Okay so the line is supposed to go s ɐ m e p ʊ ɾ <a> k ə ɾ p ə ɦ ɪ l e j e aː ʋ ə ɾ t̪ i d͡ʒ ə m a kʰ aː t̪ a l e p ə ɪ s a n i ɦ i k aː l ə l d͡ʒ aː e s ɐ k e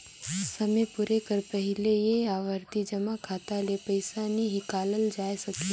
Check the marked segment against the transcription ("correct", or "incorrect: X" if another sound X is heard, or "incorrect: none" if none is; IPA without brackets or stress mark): incorrect: e